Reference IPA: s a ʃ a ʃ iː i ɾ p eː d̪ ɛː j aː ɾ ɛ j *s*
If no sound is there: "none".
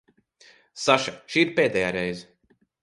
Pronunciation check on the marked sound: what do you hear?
z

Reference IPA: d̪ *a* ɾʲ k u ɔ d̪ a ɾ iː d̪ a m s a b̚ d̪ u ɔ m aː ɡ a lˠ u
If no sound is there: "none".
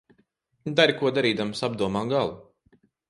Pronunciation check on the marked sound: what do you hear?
a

